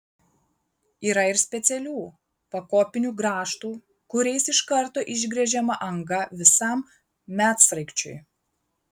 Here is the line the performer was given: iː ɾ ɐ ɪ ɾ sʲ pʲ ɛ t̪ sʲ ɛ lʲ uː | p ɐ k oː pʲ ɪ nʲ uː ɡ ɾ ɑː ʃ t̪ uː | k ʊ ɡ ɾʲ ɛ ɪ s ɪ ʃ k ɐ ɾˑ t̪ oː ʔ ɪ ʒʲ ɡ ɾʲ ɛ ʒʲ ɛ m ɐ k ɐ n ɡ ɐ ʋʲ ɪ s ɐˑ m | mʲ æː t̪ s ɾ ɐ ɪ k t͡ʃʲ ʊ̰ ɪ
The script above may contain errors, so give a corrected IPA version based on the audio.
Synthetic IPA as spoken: iː ɾ ɐ ɪ ɾ sʲ pʲ ɛ t̪ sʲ ɛ lʲ uː | p ɐ k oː pʲ ɪ nʲ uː ɡ ɾ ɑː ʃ t̪ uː | k ʊ ɾʲ ɛ ɪ s ɪ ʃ k ɐ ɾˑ t̪ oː ʔ ɪ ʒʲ ɡ ɾʲ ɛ ʒʲ ɛ m ɐ ʔ ɐ ŋ ɡ ɐ ʋʲ ɪ s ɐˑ m | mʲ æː t̪ s ɾ ɐ ɪ k t͡ʃʲ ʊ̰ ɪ